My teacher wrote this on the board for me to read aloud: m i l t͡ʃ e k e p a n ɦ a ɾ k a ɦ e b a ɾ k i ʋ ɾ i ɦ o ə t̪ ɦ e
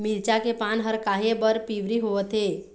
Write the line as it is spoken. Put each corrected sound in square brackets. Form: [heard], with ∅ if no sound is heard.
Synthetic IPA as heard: m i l t͡ʃ [a] k e p a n ɦ [ə] ɾ k a ɦ e b [ə] ɾ [p] i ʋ ɾ i ɦ o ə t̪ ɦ e

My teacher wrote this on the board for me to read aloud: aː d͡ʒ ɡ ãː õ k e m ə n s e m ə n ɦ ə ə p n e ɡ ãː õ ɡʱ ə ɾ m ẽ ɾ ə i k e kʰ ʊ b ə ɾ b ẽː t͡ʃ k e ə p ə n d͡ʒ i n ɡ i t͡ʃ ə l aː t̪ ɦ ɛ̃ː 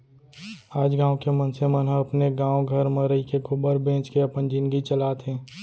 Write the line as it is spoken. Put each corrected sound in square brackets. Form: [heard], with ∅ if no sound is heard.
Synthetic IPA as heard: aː d͡ʒ ɡ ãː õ k e m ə n s e m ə n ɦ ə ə p n e ɡ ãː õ ɡʱ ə ɾ m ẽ ɾ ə i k e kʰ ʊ b ə ɾ b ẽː t͡ʃ k e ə p ə n d͡ʒ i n ɡ i t͡ʃ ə l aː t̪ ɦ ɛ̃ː

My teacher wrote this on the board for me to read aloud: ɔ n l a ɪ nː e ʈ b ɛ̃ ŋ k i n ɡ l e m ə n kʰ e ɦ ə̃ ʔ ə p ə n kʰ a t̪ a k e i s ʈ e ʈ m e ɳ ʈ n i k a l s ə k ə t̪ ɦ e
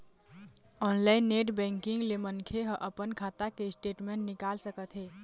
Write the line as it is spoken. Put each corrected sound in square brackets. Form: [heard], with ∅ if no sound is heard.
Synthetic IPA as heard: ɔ n l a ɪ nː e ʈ b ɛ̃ ŋ k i [ŋ] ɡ l e m ə n kʰ e ɦ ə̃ ʔ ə p ə n kʰ a t̪ a k e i s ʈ e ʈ m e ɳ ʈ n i k a l s ə k ə t̪ ɦ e

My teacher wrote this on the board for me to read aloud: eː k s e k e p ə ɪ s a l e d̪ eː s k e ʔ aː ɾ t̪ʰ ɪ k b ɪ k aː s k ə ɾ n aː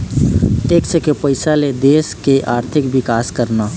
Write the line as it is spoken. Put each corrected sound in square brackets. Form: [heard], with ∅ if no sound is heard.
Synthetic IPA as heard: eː k s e k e p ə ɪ s a l e d̪ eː s k e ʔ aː ɾ t̪ʰ ɪ k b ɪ k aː s k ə ɾ n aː

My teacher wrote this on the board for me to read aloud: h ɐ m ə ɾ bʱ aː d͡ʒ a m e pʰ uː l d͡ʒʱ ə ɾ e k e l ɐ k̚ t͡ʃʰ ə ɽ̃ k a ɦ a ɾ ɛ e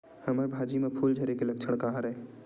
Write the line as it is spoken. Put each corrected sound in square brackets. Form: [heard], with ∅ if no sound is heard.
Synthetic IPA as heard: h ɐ m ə ɾ bʱ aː d͡ʒ [i] m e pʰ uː l d͡ʒʱ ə ɾ e k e l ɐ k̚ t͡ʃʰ ə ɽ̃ k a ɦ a ɾ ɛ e

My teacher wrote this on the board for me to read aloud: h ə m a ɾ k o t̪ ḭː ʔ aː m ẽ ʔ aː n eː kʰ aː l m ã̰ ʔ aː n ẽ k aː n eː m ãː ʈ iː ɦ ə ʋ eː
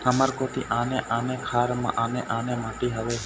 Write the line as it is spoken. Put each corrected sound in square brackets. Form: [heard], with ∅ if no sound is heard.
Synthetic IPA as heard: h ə m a ɾ k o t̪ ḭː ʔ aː [n] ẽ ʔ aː n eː kʰ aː [ɾ] m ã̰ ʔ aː n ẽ [ʔ] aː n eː m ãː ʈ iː ɦ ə ʋ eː

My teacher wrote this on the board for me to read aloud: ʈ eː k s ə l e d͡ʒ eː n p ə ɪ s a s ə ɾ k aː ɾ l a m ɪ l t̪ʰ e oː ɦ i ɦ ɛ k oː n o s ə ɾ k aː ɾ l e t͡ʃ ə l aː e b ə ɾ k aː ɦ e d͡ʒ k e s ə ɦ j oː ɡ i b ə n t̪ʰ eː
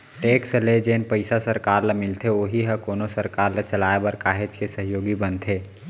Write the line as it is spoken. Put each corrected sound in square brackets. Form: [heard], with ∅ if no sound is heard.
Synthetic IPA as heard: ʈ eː k s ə l e d͡ʒ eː n p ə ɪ s a s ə ɾ k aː ɾ l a m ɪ l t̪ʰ e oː ɦ i ɦ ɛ k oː n o s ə ɾ k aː ɾ l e t͡ʃ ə l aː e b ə ɾ k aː ɦ e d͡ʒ k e s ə ɦ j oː ɡ i b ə n t̪ʰ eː

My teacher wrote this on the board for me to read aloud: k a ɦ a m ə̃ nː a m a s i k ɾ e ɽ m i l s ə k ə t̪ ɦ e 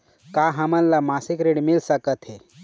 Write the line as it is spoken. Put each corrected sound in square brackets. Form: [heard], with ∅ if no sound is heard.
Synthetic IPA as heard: k a ɦ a m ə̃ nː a m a s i k ɾ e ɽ m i l s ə k ə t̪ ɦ e

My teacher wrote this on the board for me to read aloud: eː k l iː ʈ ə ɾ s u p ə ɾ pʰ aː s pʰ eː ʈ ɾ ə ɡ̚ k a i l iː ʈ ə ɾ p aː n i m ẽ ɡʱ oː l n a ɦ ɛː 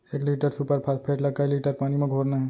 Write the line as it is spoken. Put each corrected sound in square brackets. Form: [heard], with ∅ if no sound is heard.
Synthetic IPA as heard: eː k l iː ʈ ə ɾ s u p ə ɾ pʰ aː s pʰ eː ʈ [l] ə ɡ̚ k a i l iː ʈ ə ɾ p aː n i m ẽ ɡʱ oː [ɾ] n a ɦ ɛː

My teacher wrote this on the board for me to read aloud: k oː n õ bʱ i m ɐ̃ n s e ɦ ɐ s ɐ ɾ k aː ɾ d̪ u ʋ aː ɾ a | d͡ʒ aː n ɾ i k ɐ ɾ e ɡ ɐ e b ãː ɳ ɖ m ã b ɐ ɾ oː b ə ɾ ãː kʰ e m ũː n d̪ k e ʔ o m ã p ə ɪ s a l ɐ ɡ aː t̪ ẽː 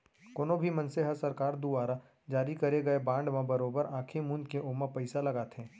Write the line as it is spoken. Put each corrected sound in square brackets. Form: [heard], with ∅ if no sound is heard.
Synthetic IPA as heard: k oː n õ bʱ i m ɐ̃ n s e ɦ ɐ s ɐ ɾ k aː ɾ d̪ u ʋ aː ɾ a | d͡ʒ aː [∅] ɾ i k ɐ ɾ e ɡ ɐ e b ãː ɳ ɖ m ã b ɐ ɾ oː b ə ɾ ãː kʰ e m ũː n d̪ k e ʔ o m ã p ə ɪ s a l ɐ ɡ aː t̪ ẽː

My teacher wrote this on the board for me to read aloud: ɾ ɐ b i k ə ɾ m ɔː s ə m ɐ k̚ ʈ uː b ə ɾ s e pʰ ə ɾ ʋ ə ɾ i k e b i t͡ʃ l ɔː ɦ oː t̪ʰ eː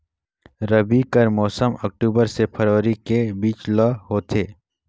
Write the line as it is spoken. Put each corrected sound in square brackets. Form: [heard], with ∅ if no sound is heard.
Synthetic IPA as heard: ɾ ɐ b i k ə ɾ m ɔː s ə m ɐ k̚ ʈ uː b ə ɾ s e pʰ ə ɾ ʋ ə ɾ i k e b [iː] t͡ʃ l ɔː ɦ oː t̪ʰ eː

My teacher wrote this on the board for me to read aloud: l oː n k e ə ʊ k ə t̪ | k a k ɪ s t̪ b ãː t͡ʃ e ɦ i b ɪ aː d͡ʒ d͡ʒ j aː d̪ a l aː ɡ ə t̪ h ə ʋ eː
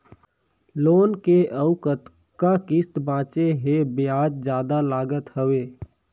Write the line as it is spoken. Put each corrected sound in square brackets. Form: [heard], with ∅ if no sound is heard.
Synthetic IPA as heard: l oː n k e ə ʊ k ə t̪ | k a k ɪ s t̪ b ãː t͡ʃ e ɦ [e] b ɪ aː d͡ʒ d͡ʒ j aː d̪ a l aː ɡ ə t̪ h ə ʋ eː

